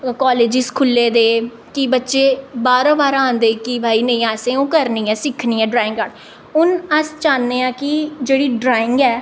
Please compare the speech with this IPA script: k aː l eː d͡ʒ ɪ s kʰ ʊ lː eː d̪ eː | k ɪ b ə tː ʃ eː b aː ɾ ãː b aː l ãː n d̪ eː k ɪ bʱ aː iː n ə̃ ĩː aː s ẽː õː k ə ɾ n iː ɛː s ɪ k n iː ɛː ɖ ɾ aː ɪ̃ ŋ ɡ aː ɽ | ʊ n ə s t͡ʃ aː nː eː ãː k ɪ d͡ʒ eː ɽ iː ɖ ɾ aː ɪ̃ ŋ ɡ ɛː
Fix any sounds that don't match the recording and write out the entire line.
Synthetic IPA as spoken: k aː l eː d͡ʒ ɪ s kʰ ʊ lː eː d̪ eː | k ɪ b ə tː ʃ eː b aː ɾ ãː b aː ɾ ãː n d̪ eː k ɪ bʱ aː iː n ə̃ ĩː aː s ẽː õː k ə ɾ n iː ɛː s ɪ kʰ n iː ɛː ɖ ɾ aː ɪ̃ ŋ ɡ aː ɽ | ʊ n ə s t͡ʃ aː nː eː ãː k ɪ d͡ʒ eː ɽ iː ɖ ɾ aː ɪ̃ ŋ ɡ ɛː